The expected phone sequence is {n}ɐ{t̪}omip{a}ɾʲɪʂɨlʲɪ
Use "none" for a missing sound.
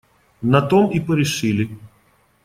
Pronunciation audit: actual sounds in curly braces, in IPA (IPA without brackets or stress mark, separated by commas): n, t̪, ə